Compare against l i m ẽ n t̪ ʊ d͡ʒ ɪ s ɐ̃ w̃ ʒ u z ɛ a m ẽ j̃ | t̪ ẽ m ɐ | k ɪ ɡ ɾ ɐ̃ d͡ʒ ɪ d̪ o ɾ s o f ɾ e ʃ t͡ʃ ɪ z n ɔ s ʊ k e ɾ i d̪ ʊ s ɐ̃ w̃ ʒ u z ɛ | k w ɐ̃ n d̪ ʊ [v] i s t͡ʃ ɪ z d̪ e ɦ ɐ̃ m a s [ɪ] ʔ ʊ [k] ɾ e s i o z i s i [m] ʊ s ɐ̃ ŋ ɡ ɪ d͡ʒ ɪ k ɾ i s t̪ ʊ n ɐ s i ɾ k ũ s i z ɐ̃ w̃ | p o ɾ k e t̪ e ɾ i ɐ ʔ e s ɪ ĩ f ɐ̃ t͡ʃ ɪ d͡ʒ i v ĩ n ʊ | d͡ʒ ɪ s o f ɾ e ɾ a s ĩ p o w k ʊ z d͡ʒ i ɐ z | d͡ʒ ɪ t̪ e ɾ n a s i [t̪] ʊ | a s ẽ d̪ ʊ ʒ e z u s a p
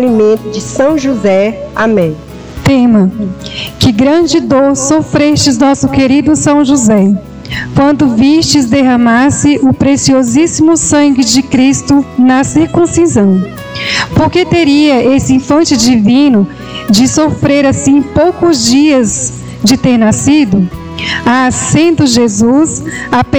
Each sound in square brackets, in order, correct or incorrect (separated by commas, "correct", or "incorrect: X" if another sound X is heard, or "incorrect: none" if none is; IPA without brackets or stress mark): correct, correct, incorrect: p, correct, incorrect: d̪